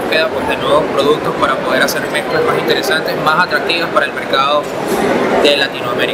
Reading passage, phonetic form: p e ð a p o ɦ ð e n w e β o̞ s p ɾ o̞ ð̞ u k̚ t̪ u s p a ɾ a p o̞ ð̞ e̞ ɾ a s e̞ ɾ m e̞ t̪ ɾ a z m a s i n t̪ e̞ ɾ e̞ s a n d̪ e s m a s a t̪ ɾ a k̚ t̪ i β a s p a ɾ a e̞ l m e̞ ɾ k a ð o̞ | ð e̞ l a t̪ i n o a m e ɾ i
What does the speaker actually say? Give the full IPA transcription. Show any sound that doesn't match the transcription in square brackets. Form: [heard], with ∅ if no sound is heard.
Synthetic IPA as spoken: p e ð a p o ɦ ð e n w e β o̞ s p ɾ o̞ ð̞ u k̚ t̪ [o] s p a ɾ a p o̞ ð̞ e̞ ɾ a s e̞ ɾ m e̞ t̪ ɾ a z m a s i n t̪ e̞ ɾ e̞ s a n [t̪] e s m a s a t̪ ɾ a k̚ t̪ i β a s p a ɾ a e̞ l m e̞ ɾ k a ð o̞ | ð e̞ l a t̪ i n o a m e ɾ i